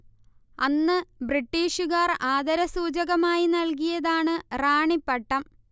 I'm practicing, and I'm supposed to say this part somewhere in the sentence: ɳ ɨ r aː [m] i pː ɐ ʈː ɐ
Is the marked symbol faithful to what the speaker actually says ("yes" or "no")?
no